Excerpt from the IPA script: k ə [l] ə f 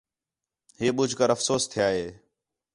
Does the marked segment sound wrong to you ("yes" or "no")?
yes